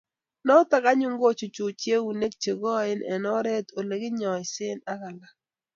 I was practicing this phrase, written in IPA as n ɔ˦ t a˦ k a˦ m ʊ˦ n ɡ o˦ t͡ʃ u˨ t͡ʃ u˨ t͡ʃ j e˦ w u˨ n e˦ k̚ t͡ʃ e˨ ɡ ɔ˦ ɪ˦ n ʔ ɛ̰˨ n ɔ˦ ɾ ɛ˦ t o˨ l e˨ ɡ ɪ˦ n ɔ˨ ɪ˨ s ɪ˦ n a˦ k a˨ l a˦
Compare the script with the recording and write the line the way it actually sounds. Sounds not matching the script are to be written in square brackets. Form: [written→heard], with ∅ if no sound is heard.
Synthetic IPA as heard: n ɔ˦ t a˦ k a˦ [m→ɲ] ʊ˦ [n→ŋ] ɡ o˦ t͡ʃ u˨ t͡ʃ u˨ t͡ʃ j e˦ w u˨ n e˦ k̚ t͡ʃ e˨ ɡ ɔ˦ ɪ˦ n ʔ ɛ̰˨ n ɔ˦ ɾ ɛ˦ t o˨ l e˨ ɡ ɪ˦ [n→ɲ] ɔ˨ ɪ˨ s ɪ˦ n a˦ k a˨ l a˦